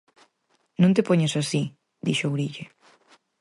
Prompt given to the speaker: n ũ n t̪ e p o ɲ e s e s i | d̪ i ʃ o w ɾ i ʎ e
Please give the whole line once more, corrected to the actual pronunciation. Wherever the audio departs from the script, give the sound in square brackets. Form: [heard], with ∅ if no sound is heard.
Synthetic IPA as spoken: n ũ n t̪ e p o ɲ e s [a] s i | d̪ i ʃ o w ɾ i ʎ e